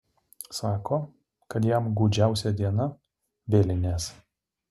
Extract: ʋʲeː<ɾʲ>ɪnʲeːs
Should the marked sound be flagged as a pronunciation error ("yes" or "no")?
yes